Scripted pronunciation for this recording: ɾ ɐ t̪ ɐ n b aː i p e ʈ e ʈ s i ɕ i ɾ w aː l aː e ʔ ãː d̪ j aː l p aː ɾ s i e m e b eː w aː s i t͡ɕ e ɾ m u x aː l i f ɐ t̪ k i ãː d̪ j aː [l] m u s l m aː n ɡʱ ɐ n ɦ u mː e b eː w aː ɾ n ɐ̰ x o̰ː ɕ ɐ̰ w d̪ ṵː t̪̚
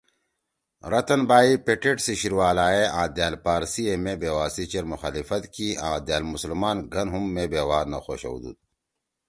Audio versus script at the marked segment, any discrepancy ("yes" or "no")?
no